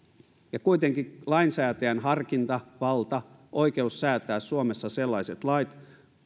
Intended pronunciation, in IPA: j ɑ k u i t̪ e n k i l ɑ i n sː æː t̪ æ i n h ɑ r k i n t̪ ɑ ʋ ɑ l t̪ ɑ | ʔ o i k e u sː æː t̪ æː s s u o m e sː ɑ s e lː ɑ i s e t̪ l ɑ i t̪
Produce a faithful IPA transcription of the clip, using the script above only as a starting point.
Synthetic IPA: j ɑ k u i t̪ e ŋ k i l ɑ i n s æː t̪ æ æ n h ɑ r k i n t̪ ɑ ʋ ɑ l t̪ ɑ | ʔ o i k e u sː æː t̪ æː s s u o m e sː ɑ s e lː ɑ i s e t̪ l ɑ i t̪